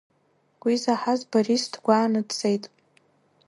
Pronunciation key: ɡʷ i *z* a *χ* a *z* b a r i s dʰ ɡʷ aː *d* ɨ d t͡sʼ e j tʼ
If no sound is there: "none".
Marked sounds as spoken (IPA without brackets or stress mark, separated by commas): z, ħ, z, n